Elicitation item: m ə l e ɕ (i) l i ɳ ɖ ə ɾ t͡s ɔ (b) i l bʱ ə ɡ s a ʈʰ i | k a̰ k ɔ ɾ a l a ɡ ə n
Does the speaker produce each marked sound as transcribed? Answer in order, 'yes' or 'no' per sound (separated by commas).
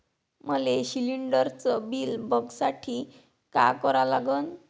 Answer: yes, yes